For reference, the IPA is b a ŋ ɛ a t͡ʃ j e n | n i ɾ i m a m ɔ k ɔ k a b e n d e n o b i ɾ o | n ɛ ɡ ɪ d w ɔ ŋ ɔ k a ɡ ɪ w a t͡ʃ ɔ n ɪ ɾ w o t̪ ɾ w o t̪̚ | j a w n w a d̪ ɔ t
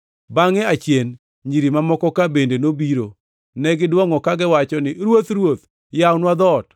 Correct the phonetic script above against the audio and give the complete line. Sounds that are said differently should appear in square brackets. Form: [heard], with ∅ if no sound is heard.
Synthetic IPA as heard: b a ŋ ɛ a t͡ʃ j e n | [ɲ] i ɾ i m a m ɔ k ɔ k a b e n d e n o b i ɾ o | n ɛ ɡ ɪ d w ɔ ŋ ɔ k a ɡ ɪ w a t͡ʃ ɔ n ɪ ɾ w o t̪ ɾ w o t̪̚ | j a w n w a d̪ ɔ t

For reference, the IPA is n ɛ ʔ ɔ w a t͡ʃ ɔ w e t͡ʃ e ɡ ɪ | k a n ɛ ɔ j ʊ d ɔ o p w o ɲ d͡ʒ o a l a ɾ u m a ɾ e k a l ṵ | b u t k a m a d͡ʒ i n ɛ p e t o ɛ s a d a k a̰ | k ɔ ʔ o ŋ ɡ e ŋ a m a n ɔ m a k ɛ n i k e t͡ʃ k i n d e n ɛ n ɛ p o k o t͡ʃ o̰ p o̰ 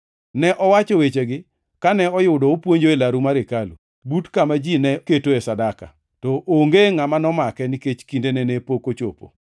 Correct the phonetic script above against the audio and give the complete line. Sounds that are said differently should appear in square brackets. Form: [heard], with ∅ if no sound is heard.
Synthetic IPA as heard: n ɛ ʔ ɔ w a t͡ʃ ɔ w e t͡ʃ e ɡ ɪ | k a n ɛ ɔ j ʊ d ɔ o p w o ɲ d͡ʒ o [e] l a ɾ u m a ɾ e k a l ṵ | b u t k a m a d͡ʒ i n ɛ [k] e t o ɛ s a d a k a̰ | [t] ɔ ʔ o ŋ ɡ e ŋ a m a n ɔ m a k ɛ n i k e t͡ʃ k i n d e n ɛ n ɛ p o k o t͡ʃ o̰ p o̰

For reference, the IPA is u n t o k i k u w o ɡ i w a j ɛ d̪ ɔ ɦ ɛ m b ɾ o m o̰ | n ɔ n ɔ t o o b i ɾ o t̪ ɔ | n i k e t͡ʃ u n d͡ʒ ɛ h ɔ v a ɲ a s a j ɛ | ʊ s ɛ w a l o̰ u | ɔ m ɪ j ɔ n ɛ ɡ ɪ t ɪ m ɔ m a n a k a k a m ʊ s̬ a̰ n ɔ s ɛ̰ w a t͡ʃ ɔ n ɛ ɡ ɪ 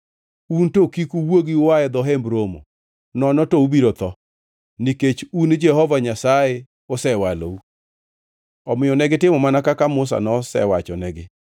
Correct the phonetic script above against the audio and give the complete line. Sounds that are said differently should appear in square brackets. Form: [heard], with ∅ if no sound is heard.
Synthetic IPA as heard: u n t o k i k u w o ɡ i w a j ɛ d̪ ɔ ɦ ɛ m b ɾ o m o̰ | n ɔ n ɔ t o [u] b i ɾ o t̪ ɔ | n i k e t͡ʃ u n d͡ʒ ɛ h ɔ v a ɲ a s a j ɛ | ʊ s ɛ w a l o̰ u | ɔ m ɪ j ɔ n ɛ ɡ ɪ t ɪ m ɔ m a n a k a k a m ʊ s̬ a̰ n ɔ s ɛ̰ w a t͡ʃ ɔ n ɛ ɡ ɪ

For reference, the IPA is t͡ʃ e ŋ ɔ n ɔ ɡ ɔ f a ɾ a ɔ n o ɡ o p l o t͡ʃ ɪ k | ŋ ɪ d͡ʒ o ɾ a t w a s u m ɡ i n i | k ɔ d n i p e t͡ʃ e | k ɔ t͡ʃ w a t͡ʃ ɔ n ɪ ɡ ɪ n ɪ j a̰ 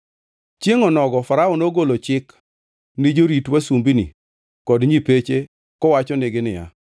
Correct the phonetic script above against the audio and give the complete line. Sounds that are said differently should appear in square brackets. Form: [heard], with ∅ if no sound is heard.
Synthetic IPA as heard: t͡ʃ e ŋ ɔ n ɔ ɡ ɔ f a ɾ a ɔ n o ɡ o [∅] l o t͡ʃ ɪ k | [n] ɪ d͡ʒ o ɾ [i] t w a s u m [b] i n i | k ɔ d [ɲ] i p e t͡ʃ e | k ɔ [∅] w a t͡ʃ ɔ n ɪ ɡ ɪ n ɪ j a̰

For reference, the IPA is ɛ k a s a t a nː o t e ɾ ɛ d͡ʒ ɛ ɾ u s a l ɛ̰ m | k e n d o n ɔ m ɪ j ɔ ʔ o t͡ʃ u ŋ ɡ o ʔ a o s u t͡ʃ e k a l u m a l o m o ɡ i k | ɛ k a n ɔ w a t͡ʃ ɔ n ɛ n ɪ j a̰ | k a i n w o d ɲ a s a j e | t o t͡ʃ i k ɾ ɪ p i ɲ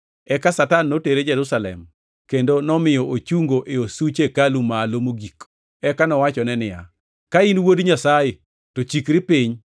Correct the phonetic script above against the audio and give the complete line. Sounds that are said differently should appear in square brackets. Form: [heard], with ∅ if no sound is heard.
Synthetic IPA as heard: ɛ k a s a t a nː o t e ɾ [e] d͡ʒ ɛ ɾ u s a l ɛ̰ m | k e n d o n ɔ m ɪ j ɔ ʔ o t͡ʃ u ŋ ɡ o ʔ [e] o s u t͡ʃ e k a l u m a l o m o ɡ i k | ɛ k a n ɔ w a t͡ʃ ɔ n ɛ n ɪ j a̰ | k a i n w o d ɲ a s a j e | t o t͡ʃ i k ɾ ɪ p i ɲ

